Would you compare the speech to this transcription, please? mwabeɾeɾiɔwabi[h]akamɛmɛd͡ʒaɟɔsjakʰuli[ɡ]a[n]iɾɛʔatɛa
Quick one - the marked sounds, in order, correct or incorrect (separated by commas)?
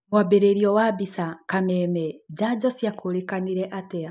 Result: incorrect, incorrect, correct